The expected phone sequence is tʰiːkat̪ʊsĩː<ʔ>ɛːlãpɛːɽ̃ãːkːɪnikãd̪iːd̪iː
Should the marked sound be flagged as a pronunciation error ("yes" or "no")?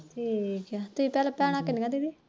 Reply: yes